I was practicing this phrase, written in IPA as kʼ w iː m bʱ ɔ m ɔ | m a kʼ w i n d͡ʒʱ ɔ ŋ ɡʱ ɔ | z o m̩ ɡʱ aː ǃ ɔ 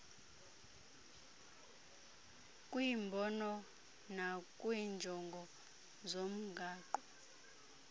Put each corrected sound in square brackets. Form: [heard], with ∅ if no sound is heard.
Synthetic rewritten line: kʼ w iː m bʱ ɔ [n] ɔ | [n] a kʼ w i n d͡ʒʱ ɔ ŋ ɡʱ ɔ | z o m̩ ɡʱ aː ǃ ɔ